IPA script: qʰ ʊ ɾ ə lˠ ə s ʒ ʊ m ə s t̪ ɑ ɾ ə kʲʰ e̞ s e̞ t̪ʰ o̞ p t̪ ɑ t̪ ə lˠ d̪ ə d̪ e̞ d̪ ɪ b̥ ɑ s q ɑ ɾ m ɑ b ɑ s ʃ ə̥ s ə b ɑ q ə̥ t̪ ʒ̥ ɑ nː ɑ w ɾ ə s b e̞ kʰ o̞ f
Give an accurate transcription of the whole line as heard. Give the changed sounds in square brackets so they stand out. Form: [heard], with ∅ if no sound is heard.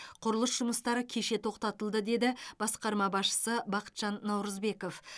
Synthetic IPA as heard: qʰ ʊ ɾ ə lˠ ə s ʒ ʊ m ə s t̪ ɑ ɾ ə kʲʰ e̞ [ʃ] e̞ t̪ʰ o̞ [q] t̪ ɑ t̪ ə lˠ d̪ ə d̪ e̞ d̪ ɪ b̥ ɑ s q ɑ ɾ m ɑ b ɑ s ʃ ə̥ s ə b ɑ q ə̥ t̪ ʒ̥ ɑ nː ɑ w ɾ ə [z] b e̞ [k] o̞ f